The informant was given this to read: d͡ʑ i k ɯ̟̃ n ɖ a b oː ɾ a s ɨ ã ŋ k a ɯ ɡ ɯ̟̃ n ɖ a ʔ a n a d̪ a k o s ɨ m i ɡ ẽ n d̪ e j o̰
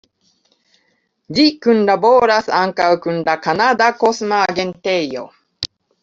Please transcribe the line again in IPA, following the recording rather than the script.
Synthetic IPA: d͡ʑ i k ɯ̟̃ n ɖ a b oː ɾ a s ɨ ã ŋ k a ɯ k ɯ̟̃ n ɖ a k a n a d̪ a k o s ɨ m a ɡ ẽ n t̪ e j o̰